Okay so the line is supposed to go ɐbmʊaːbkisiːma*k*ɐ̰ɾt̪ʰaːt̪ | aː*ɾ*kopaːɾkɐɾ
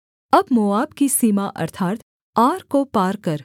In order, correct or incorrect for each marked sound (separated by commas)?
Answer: incorrect, correct